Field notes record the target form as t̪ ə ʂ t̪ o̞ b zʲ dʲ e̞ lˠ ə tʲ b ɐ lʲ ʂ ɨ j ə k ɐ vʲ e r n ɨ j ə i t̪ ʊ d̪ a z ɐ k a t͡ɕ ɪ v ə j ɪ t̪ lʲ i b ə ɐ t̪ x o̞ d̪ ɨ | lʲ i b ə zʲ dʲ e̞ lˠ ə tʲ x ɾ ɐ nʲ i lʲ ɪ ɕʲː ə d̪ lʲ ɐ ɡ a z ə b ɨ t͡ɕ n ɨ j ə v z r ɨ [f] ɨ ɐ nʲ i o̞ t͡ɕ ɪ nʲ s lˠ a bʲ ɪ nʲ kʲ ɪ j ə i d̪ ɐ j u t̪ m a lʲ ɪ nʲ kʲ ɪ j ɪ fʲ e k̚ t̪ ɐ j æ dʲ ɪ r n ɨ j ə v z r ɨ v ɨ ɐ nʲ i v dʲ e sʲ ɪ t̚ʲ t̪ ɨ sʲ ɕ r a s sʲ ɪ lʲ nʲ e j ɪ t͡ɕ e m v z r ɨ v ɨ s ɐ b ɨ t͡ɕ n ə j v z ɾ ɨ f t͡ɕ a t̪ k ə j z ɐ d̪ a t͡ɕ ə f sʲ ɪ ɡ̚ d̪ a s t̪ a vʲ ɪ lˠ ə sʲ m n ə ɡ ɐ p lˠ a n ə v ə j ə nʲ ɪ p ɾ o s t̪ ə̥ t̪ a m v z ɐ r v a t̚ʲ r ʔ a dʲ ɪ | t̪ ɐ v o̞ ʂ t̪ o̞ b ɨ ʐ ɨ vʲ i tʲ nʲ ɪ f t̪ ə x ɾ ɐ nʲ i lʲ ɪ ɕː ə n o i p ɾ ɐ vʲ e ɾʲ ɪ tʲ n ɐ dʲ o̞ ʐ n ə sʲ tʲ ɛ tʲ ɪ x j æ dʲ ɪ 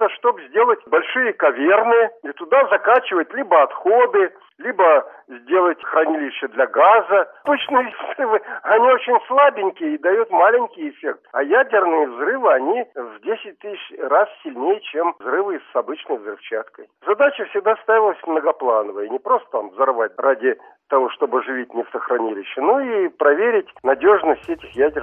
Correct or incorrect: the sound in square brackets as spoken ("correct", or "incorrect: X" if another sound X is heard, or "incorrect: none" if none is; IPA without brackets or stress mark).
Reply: incorrect: v